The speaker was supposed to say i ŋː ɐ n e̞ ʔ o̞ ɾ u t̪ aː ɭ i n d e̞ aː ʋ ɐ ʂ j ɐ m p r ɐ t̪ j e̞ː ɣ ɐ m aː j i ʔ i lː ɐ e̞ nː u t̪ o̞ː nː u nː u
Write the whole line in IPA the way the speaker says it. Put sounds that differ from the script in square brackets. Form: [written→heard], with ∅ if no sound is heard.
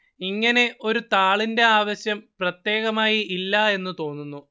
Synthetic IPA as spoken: i ŋː ɐ n e̞ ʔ o̞ ɾ u t̪ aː ɭ i n d e̞ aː ʋ ɐ [ʂ→ɕ] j ɐ m p r ɐ t̪ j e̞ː ɣ ɐ m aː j i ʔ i lː ɐ e̞ nː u t̪ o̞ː nː u nː u